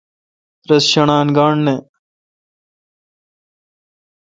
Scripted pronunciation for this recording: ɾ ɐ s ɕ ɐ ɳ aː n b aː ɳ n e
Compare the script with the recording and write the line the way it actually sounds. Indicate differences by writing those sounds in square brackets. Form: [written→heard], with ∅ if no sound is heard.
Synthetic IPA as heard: ɾ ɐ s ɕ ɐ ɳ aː n [b→ɡ] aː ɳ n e